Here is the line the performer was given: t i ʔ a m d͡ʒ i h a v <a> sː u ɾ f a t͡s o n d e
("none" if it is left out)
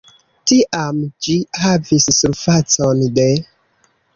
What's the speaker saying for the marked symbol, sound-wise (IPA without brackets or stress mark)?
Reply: i